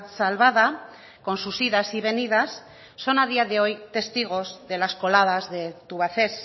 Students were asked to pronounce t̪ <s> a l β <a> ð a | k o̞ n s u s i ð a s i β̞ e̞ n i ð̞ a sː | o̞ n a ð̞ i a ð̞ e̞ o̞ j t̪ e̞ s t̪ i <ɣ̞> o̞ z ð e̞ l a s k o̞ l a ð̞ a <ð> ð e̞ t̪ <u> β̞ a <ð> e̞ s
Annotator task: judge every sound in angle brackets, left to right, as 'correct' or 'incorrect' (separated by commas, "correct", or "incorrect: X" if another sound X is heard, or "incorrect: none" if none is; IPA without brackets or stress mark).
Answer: correct, correct, correct, incorrect: z, correct, incorrect: θ